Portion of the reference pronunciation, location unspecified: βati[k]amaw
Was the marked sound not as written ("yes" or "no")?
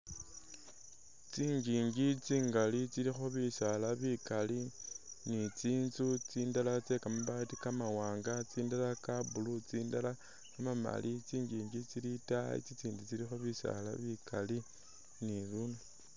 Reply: no